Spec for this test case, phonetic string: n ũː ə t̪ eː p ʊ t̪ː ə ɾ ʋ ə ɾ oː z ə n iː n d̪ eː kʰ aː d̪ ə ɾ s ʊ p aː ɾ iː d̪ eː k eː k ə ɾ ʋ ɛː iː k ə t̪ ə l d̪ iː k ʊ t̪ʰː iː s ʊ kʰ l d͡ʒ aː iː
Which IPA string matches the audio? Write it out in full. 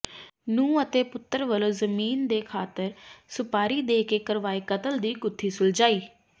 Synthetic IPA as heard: n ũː ə t̪ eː p ʊ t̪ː ə ɾ ʋ ə l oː z ə m iː n d̪ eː kʰ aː t̪ ə ɾ s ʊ p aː ɾ iː d̪ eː k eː k ə ɾ ʋ aː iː k ə t̪ ə l d̪ iː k ʊ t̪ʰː iː s ʊ l d͡ʒ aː iː